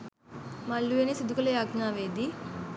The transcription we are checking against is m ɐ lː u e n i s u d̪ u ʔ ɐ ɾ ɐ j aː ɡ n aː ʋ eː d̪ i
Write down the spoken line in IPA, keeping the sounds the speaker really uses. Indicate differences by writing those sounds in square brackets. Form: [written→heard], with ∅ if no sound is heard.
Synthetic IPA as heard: m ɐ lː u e n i s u d̪ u [ʔ→k] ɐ [ɾ→l] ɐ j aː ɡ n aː ʋ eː d̪ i